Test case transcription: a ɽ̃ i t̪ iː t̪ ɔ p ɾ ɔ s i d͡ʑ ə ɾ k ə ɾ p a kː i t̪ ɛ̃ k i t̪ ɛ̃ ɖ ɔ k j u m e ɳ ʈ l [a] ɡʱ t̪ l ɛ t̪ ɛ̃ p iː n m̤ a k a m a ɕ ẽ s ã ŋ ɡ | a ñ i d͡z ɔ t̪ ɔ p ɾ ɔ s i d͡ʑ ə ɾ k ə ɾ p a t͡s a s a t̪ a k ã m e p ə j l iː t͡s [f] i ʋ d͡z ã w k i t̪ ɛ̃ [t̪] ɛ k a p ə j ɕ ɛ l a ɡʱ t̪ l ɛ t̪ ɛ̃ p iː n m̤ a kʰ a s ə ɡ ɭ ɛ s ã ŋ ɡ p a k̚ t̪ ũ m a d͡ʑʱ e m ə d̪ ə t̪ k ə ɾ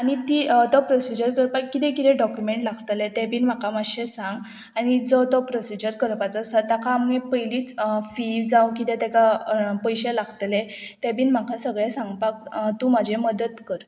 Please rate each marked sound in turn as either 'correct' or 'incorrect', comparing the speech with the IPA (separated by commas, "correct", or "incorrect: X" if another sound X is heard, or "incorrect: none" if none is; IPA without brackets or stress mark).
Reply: correct, correct, correct